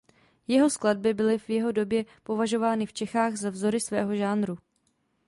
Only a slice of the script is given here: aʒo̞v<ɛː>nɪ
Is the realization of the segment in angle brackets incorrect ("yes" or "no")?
yes